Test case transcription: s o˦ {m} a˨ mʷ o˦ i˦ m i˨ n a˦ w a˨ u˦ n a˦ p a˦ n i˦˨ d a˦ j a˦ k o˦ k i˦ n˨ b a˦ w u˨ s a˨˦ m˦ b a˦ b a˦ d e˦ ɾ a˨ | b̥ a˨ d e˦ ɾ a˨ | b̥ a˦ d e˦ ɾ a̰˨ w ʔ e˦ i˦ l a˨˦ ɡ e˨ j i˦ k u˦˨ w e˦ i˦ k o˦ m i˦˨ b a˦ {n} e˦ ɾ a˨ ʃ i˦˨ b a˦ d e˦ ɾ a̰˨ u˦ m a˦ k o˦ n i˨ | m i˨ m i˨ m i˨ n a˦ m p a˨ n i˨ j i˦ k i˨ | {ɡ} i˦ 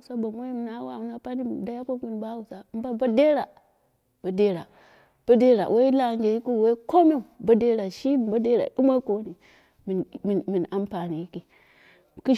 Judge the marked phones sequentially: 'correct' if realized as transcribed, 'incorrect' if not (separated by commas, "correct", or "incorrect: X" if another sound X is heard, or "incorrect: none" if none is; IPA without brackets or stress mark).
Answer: incorrect: b, incorrect: d, incorrect: k